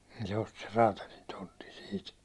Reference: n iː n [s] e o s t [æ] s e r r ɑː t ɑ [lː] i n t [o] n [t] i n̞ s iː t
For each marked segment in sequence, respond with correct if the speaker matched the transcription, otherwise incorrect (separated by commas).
correct, incorrect, incorrect, correct, correct